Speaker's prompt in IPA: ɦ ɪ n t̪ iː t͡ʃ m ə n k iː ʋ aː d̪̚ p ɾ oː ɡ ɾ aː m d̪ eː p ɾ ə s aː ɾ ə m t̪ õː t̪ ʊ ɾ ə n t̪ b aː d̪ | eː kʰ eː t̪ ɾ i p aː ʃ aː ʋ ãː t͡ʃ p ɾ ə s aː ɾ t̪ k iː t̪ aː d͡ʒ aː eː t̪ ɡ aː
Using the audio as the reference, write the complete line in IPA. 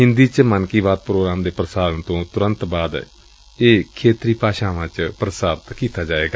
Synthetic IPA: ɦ ɪ n d̪ iː t͡ʃ m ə n k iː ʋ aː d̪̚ p ɾ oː ɡ ɾ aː m d̪ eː p ɾ ə s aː ɾ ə n t̪ õː t̪ ʊ ɾ ə n t̪ b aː d̪ | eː kʰ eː t̪ ɾ iː p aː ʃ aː ʋ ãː t͡ʃ p ɾ ə s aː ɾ t̪ k iː t̪ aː d͡ʒ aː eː ɡ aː